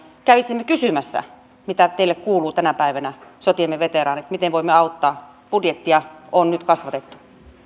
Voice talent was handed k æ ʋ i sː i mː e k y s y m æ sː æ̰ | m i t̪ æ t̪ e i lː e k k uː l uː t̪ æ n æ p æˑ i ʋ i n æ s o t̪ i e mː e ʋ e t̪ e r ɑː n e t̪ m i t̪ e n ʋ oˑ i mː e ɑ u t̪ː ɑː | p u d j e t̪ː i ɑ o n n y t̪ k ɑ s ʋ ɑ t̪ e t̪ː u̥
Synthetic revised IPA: k æ ʋ i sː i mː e k y s y m æ sː æ̰ | m i t̪ æ t̪ e i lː e k k uː l uː t̪ æ n æ p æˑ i ʋ æ n æ s o t̪ i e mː e ʋ e t̪ e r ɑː n e t̪ m i t̪ e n ʋ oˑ i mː e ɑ u t̪ː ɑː | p u d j e t̪ː i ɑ o n n y t̪ k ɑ s ʋ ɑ t̪ e t̪ː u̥